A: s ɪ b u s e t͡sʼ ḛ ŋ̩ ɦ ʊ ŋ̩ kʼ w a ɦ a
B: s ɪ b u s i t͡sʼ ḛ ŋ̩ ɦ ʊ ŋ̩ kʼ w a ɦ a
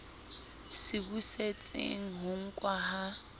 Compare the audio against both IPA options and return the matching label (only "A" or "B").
A